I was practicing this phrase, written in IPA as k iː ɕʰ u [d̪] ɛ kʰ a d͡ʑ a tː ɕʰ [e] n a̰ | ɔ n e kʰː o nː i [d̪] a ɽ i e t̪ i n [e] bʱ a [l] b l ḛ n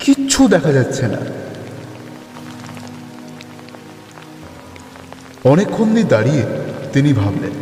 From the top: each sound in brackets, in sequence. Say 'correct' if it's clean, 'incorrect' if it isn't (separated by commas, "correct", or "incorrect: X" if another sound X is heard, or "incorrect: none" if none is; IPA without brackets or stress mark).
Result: correct, correct, correct, incorrect: i, incorrect: none